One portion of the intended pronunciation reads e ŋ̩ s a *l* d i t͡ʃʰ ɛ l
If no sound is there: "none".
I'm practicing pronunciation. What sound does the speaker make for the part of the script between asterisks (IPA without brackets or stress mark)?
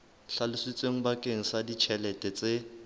none